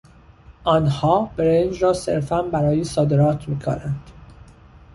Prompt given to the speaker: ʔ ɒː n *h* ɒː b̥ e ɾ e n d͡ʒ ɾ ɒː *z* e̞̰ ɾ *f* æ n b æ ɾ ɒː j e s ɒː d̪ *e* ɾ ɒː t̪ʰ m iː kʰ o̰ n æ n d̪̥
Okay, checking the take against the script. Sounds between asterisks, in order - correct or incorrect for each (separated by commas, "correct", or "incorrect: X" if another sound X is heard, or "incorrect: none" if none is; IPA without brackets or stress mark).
correct, incorrect: s, correct, correct